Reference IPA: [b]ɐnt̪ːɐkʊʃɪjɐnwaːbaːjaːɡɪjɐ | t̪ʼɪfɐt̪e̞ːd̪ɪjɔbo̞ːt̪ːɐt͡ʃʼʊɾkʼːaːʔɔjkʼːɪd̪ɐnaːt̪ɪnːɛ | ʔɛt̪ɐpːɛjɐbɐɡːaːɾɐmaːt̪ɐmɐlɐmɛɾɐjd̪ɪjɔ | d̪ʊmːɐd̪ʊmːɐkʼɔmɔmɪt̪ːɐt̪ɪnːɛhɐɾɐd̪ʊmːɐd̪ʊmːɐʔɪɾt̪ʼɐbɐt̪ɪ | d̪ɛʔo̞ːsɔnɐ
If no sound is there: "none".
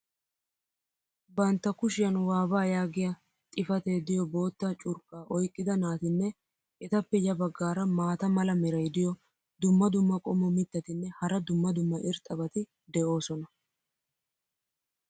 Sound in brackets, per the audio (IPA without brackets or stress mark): b